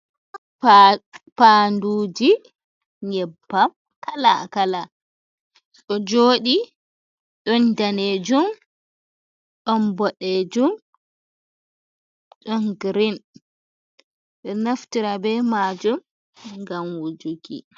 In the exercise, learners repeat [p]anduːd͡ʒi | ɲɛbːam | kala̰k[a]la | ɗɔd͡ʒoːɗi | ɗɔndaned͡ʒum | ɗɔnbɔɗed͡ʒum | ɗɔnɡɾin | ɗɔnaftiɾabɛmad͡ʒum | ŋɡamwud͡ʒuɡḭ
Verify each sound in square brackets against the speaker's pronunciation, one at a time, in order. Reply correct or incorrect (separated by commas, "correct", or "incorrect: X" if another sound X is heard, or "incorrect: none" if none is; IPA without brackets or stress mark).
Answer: correct, correct